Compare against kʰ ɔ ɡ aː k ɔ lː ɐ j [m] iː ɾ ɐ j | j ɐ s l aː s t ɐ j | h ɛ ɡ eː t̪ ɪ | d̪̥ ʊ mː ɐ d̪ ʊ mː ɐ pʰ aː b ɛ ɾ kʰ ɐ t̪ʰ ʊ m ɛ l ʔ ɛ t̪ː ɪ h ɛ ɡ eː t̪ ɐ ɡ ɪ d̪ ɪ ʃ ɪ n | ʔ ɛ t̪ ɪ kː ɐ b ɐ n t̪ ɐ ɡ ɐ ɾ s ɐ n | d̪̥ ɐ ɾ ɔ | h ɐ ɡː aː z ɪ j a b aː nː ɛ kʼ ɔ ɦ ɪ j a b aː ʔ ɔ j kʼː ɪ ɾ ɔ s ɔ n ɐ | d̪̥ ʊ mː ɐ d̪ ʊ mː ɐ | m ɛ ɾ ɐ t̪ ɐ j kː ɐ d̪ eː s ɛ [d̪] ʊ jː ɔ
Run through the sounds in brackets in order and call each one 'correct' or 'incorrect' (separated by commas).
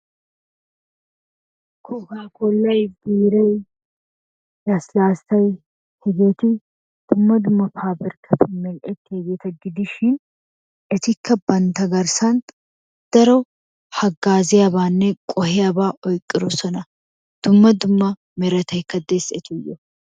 incorrect, incorrect